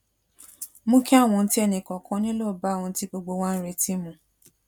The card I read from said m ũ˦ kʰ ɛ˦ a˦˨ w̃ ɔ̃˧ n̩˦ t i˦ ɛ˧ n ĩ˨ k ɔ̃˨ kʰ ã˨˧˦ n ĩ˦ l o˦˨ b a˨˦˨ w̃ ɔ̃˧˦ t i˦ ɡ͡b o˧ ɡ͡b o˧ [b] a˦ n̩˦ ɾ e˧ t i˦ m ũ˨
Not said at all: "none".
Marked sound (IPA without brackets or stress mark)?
w